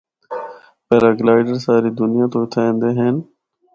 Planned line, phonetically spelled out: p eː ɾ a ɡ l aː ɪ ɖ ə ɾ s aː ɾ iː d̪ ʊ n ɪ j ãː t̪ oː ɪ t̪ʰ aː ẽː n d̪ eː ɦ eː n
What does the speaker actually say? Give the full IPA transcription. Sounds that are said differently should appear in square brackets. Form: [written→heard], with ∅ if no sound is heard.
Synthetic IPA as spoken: p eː ɾ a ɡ l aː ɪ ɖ ə ɾ s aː ɾ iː d̪ ʊ n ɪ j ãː t̪ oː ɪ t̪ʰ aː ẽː n d̪ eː ɦ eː n